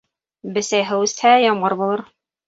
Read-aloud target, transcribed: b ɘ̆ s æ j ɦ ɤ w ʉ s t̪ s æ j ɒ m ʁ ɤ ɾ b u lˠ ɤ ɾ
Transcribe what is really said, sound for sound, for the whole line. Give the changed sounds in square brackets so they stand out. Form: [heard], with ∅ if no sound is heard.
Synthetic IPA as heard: b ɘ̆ s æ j ɦ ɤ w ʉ s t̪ [h] æ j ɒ m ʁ ɤ ɾ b u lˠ ɤ ɾ

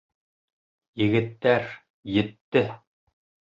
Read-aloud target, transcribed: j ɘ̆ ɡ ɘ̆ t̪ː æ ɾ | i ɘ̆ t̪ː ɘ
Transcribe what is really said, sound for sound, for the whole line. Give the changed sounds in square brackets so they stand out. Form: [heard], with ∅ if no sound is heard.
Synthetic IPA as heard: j ɘ̆ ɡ ɘ̆ t̪ː æ ɾ | [j] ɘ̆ t̪ː ɘ

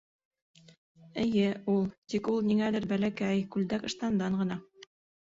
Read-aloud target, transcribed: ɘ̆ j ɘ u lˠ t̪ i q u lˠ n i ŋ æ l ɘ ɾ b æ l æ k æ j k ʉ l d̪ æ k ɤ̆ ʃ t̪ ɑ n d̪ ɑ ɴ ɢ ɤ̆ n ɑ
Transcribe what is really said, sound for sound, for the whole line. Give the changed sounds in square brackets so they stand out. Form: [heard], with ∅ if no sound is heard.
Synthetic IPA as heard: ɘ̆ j ɘ u lˠ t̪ i [k] u lˠ n i ŋ æ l ɘ ɾ b æ l æ k æ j k ʉ l d̪ æ k ɤ̆ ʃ t̪ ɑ n d̪ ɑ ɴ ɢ ɤ̆ n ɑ

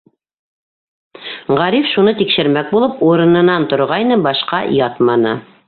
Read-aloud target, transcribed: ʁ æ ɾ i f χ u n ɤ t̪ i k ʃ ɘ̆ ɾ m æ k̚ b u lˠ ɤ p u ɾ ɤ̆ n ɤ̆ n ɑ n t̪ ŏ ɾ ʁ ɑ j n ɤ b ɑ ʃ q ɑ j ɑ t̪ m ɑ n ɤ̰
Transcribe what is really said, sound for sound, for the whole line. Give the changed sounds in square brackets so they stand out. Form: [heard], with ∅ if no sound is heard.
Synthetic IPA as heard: ʁ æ ɾ i f [ʃ] u n ɤ t̪ i k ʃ ɘ̆ ɾ m æ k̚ b u lˠ ɤ p u ɾ ɤ̆ n ɤ̆ n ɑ n t̪ ŏ ɾ ʁ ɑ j n ɤ b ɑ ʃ q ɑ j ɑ t̪ m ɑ n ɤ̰

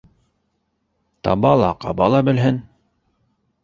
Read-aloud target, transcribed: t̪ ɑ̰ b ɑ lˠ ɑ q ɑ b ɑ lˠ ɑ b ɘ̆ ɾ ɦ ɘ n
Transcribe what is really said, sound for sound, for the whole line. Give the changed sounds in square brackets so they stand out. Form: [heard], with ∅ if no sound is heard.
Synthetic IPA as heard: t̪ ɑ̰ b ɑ lˠ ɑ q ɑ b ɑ lˠ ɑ b ɘ̆ [l] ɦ ɘ n

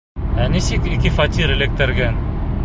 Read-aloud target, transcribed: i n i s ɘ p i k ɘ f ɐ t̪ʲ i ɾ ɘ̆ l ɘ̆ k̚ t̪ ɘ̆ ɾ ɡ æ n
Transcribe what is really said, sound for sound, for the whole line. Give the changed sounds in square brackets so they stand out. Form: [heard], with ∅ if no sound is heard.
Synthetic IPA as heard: [æ] n i s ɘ [k] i k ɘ f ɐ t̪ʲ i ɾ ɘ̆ l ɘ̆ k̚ t̪ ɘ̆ ɾ ɡ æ n

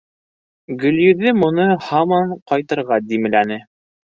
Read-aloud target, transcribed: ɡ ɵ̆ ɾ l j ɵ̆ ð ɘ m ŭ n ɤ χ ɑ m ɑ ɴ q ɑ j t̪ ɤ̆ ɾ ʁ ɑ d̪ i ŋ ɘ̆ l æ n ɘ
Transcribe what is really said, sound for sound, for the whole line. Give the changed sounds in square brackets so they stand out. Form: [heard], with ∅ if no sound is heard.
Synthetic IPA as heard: ɡ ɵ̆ [∅] l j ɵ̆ ð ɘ m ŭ n ɤ [h] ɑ m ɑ ɴ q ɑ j t̪ ɤ̆ ɾ ʁ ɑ d̪ i [m] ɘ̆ l æ n ɘ

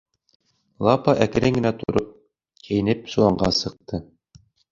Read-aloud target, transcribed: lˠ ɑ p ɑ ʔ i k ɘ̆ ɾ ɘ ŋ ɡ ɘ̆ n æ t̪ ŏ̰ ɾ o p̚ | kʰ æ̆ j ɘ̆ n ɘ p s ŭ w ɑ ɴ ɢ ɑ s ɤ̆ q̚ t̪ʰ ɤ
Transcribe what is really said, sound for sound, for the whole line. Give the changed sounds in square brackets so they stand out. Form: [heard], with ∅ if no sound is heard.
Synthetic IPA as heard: lˠ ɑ p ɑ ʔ [æ] k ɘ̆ ɾ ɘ ŋ ɡ ɘ̆ n æ t̪ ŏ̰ ɾ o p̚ | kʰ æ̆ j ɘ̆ n ɘ p s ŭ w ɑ ɴ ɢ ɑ s ɤ̆ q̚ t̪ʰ ɤ

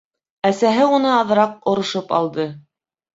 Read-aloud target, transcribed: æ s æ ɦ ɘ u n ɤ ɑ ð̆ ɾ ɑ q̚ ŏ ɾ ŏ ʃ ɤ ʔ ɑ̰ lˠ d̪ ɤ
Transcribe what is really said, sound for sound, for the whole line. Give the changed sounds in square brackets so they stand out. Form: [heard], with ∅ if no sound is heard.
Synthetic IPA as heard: æ s æ ɦ ɘ u n ɤ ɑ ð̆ ɾ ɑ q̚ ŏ ɾ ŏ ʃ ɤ [p] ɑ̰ lˠ d̪ ɤ

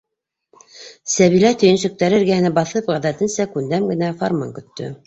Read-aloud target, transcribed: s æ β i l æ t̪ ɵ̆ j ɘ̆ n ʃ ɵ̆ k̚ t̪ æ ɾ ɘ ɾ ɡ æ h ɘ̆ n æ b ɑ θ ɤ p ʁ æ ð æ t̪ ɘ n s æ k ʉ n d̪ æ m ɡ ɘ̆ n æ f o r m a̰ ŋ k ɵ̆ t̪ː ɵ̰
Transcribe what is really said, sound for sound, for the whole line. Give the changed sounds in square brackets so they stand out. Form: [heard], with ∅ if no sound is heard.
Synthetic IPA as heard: s æ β i l æ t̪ ɵ̆ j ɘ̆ n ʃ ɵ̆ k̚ t̪ æ ɾ ɘ ɾ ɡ æ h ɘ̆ n æ b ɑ θ ɤ p ʁ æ ð æ t̪ ɘ n s æ k ʉ n d̪ æ m ɡ ɘ̆ n æ f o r m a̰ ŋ k ɵ̆ t̪ː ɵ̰

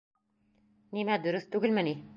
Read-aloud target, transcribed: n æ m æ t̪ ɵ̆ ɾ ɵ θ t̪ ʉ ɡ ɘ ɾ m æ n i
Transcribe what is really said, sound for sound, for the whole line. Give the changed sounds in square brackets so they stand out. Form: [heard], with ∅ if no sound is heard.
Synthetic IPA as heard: n [i] m æ [d̪] ɵ̆ ɾ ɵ θ t̪ ʉ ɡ ɘ [l] m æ n i

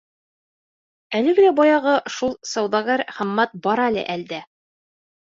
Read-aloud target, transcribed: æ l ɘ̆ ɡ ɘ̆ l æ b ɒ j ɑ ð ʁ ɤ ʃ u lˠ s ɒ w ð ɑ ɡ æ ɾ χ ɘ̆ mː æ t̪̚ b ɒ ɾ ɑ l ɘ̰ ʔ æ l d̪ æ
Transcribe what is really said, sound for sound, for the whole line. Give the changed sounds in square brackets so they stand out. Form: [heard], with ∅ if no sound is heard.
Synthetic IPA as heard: æ l ɘ̆ ɡ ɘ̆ l æ b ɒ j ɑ [∅] ʁ ɤ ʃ u lˠ s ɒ w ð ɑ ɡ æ ɾ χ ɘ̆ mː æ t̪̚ b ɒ ɾ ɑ l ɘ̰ ʔ æ l d̪ æ

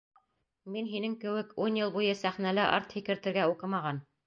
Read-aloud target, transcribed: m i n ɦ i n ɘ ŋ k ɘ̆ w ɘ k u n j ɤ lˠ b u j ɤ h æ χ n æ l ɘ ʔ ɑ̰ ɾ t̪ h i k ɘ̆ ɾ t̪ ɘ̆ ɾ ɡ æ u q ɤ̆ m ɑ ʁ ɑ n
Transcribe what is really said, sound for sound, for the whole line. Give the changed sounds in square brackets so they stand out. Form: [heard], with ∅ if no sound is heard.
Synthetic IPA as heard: m i n ɦ i n ɘ ŋ k ɘ̆ w ɘ k u n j ɤ lˠ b u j ɤ [s] æ χ n æ l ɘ ʔ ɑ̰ ɾ t̪ h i k ɘ̆ ɾ t̪ ɘ̆ ɾ ɡ æ u q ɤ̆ m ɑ ʁ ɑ n

